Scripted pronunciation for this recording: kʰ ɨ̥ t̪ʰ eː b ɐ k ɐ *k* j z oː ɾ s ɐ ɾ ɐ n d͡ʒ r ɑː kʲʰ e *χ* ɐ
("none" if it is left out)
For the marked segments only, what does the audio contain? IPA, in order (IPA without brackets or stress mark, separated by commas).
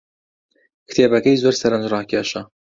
none, ʃ